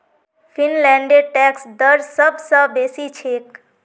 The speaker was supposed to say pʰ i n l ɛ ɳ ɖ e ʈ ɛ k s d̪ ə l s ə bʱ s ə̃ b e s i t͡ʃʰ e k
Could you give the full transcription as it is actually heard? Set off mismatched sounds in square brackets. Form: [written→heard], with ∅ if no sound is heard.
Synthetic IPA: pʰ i n l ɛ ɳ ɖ e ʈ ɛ k s d̪ ə [l→ɾ] s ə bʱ s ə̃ b e s i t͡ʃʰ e k